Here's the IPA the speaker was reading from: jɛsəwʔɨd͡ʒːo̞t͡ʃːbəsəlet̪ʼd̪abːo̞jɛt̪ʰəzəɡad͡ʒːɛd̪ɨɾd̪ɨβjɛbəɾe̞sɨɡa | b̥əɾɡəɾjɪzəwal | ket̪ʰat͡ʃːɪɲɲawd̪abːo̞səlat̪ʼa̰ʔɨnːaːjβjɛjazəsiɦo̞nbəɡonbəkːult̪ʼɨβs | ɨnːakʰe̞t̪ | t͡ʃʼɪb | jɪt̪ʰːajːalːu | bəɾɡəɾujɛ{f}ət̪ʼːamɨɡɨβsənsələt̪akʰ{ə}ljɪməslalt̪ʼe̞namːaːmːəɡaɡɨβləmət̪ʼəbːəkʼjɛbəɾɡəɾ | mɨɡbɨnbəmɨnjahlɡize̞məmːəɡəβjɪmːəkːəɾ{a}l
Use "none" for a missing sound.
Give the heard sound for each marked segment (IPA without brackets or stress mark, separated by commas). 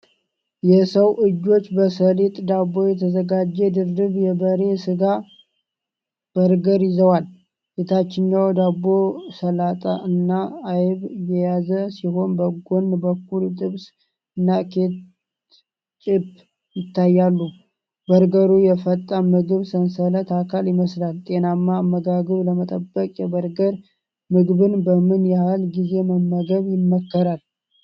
f, a, a